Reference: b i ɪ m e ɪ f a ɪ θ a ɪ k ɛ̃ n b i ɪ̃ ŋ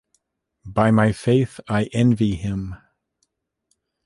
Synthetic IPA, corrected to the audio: b a ɪ m a ɪ f e ɪ θ a ɪ ʔ ɛ̃ n v i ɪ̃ m